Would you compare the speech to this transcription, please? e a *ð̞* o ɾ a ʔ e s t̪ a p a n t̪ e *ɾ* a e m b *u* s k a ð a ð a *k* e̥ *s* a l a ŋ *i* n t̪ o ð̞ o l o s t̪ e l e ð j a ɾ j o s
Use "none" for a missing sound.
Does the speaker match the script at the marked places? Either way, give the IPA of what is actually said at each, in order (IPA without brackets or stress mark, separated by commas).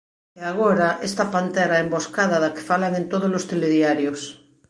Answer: ɣ̞, ɾ, o, k, f, e